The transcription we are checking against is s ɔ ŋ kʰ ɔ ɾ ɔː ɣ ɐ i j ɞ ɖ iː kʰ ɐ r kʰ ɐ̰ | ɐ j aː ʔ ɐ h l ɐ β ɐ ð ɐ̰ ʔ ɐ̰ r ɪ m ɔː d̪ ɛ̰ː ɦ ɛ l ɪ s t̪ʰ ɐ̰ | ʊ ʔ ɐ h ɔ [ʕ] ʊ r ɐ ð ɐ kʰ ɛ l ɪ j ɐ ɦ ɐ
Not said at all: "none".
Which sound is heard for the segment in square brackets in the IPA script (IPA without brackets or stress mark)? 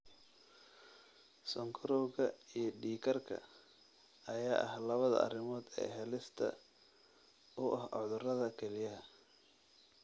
ð